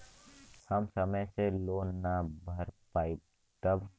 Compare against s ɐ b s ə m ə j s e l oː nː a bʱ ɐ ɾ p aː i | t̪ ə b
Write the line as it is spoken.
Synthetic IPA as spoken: h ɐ m s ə m ə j s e l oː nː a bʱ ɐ ɾ p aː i | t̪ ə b